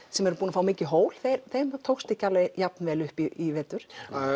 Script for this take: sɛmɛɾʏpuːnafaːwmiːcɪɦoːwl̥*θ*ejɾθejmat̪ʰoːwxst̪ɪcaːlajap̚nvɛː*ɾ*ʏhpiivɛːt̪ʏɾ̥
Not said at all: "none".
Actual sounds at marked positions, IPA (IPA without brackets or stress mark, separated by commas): θ, l